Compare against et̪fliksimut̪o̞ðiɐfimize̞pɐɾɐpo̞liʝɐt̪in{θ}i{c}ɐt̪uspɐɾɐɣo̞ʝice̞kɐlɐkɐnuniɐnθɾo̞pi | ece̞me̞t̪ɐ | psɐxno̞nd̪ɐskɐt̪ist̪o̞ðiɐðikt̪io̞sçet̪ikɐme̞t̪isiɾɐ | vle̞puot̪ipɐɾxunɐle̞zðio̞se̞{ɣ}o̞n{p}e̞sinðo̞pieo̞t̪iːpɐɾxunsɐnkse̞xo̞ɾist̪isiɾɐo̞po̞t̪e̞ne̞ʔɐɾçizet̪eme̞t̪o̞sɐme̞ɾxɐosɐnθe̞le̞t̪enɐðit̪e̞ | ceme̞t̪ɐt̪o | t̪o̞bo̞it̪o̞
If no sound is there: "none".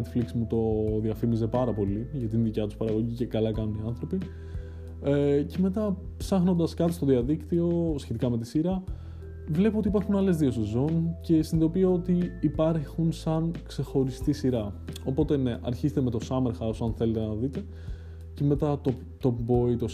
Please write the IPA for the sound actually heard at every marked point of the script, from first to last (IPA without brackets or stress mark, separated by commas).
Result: ð, c, z, c